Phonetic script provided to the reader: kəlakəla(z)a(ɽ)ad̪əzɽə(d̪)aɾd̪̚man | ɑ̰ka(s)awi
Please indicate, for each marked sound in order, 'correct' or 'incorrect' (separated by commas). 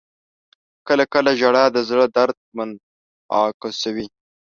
incorrect, correct, correct, correct